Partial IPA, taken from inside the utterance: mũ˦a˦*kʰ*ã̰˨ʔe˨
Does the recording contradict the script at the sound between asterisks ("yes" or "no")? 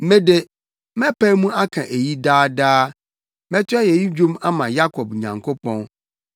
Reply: no